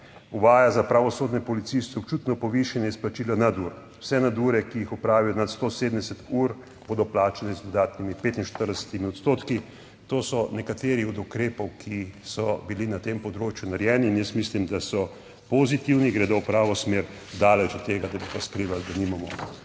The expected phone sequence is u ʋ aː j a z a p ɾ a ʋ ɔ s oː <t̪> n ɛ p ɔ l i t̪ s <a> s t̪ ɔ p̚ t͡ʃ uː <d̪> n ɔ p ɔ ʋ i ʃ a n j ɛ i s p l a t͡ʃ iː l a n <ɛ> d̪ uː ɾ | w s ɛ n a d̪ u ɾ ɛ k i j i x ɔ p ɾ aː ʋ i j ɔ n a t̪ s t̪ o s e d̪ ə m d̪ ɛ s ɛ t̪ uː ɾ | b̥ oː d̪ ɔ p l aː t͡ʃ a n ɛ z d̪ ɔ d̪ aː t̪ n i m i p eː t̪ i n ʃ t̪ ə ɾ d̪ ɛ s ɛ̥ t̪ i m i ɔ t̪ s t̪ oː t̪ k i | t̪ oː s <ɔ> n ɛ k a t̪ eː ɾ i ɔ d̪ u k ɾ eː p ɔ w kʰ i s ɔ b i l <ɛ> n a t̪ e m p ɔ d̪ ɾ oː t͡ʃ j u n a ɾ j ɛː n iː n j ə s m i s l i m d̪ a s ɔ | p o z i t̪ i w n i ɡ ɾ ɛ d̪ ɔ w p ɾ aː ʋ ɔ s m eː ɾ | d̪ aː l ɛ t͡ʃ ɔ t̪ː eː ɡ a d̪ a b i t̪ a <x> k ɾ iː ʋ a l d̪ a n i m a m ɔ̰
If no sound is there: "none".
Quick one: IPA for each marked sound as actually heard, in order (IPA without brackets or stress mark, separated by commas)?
d̪, i, t̪, a, ɔ, i, s